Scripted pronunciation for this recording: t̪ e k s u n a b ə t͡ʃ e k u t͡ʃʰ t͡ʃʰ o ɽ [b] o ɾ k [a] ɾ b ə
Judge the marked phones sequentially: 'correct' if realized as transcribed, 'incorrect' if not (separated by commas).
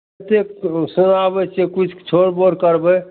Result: correct, incorrect